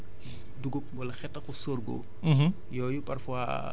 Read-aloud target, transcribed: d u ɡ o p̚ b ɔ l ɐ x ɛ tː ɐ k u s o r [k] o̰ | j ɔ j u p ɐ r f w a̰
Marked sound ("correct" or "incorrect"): incorrect